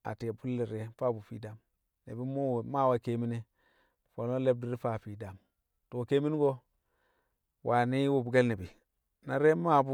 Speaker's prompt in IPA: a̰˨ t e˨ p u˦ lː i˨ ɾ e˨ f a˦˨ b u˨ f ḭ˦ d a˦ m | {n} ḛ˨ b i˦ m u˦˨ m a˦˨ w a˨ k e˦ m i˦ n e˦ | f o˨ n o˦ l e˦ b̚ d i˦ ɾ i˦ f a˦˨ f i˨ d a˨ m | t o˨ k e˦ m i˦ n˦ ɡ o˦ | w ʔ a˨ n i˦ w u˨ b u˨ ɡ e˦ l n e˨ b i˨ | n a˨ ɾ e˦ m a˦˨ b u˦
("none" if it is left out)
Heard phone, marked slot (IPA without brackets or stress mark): n